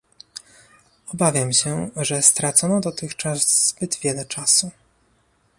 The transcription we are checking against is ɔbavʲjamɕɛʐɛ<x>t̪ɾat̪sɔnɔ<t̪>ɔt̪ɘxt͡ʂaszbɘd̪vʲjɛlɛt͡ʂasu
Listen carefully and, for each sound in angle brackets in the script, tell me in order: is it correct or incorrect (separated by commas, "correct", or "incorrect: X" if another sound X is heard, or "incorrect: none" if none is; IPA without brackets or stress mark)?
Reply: incorrect: s, incorrect: d̪